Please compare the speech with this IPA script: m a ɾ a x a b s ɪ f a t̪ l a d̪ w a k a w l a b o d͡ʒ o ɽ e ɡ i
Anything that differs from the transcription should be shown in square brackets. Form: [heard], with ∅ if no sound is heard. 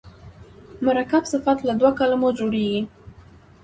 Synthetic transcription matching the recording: m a ɾ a [k] a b s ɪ f a t̪ l a d̪ w a k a [∅] l a [m] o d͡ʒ o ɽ e ɡ i

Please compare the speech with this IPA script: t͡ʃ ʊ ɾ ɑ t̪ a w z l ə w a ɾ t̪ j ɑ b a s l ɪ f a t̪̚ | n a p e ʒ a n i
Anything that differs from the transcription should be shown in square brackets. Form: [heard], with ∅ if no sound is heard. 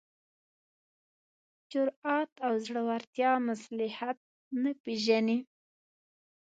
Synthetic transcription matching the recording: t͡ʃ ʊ ɾ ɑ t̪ a w z [ɽ] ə w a ɾ t̪ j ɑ [m] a s l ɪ [h] a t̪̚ | n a p e ʒ a n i

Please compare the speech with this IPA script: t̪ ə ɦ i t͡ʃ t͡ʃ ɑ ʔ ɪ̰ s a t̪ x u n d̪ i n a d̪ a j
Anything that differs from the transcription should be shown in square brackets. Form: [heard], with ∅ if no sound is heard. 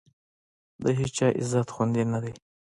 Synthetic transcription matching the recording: [d̪] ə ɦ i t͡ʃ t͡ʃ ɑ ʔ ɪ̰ [z] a t̪ x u n d̪ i n a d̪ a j

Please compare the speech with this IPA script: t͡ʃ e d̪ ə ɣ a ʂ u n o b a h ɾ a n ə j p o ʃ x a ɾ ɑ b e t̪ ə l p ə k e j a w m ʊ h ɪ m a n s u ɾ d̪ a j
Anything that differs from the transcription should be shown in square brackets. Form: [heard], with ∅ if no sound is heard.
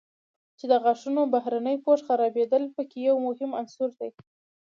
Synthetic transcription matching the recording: t͡ʃ e d̪ ə ɣ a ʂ u n o b a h ɾ a n ə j p o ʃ x a ɾ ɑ b e [d̪] ə l p ə k e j a w m ʊ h ɪ m a n s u ɾ d̪ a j

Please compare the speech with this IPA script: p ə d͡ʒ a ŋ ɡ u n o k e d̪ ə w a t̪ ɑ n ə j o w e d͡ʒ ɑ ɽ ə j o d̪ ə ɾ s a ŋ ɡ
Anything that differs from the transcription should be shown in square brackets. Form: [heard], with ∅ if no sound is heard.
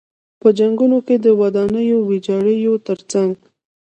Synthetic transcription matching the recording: p ə d͡ʒ a ŋ ɡ u n o k e d̪ ə w a [d̪] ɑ n ə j o w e d͡ʒ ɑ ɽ ə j o [t̪] ə ɾ [t͡s] a ŋ ɡ

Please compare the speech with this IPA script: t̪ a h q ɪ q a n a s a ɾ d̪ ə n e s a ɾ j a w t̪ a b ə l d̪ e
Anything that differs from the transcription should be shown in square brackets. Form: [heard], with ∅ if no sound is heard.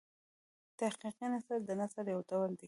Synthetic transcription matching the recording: t̪ a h q [i] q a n a s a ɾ d̪ ə n [a] s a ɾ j a w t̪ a [w] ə l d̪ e

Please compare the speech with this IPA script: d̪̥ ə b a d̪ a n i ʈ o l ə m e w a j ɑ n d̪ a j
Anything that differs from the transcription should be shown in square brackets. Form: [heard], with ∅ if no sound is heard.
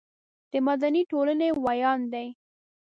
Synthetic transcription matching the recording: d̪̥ ə [m] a d̪ a n i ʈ o l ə [n] e w a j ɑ n d̪ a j

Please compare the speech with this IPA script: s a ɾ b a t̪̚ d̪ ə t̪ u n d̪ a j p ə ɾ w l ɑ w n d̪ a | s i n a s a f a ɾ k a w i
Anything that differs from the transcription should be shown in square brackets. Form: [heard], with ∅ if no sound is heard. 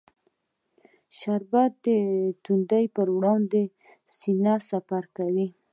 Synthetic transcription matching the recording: [ʃ] a ɾ b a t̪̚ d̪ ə t̪ u n d̪ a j p ə ɾ w [ɽ] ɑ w n d̪ [e] | s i n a s a f a ɾ k a w i

